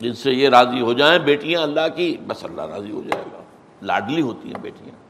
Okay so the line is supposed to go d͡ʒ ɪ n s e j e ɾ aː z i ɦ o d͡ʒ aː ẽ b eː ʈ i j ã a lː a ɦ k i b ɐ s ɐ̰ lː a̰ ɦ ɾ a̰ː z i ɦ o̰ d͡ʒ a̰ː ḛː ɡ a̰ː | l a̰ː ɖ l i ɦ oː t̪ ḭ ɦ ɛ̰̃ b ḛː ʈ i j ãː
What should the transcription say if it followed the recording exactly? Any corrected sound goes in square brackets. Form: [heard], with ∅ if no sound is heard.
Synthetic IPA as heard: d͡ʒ ɪ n s e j e ɾ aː z i ɦ o d͡ʒ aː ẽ b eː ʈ i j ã [ɐ] lː a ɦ k i b ɐ s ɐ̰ lː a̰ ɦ ɾ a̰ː z i ɦ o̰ d͡ʒ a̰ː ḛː ɡ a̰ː | l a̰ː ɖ l i ɦ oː t̪ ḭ ɦ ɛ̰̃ b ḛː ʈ i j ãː